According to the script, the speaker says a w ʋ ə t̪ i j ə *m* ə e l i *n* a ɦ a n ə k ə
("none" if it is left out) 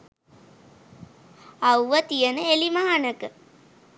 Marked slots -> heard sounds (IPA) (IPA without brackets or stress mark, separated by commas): n, m